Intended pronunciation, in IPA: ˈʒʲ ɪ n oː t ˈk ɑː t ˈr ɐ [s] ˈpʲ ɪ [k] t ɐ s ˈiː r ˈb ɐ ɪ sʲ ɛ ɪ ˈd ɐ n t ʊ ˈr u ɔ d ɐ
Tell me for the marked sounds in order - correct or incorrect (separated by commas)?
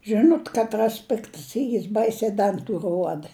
correct, correct